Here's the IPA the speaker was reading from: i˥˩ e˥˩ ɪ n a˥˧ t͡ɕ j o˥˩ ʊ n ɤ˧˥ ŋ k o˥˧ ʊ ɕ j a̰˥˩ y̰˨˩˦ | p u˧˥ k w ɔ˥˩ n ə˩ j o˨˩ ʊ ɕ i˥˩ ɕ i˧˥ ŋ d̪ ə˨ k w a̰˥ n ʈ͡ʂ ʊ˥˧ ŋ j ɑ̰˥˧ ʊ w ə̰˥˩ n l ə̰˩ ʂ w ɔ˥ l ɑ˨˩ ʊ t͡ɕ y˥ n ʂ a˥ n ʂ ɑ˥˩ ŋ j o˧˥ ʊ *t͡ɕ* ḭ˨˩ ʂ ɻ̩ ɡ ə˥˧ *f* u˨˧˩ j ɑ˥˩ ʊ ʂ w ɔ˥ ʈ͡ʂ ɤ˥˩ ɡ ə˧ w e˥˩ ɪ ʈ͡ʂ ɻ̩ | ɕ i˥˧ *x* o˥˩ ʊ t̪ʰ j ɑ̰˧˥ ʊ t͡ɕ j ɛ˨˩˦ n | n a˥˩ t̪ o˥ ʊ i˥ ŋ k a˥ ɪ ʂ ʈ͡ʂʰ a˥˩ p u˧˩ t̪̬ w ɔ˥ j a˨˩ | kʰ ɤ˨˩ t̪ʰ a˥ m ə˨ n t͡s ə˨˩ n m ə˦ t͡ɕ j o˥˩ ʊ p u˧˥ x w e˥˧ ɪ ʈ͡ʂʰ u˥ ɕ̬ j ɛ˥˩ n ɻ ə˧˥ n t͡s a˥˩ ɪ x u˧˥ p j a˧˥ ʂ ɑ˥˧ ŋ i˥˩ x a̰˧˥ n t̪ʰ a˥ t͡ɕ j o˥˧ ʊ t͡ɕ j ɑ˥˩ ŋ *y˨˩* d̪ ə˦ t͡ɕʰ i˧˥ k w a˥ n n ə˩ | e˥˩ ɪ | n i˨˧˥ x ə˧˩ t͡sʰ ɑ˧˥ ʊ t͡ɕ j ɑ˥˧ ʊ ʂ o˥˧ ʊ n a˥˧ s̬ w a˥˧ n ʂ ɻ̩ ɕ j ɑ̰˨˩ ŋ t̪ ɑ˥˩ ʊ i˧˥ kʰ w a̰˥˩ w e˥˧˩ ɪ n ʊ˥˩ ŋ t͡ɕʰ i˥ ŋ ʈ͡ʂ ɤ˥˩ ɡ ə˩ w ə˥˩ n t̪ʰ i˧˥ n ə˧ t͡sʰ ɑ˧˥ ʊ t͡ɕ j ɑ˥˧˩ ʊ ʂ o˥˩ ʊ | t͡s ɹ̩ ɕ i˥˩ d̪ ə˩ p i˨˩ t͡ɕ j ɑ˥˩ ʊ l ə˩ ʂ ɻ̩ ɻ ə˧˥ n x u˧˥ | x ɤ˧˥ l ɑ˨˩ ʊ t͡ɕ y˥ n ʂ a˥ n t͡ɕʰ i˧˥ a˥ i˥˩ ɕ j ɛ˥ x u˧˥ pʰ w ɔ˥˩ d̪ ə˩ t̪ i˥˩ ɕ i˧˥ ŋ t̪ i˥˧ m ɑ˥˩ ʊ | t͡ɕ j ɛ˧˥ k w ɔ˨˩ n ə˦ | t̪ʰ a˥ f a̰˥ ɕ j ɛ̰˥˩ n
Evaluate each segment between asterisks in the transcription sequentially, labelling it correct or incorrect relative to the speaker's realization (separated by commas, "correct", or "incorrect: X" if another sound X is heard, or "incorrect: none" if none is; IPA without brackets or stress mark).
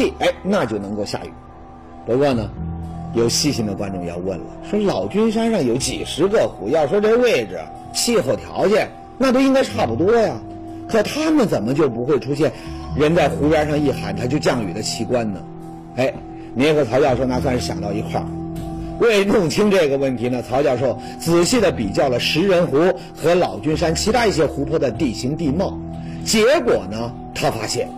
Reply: correct, incorrect: x, correct, correct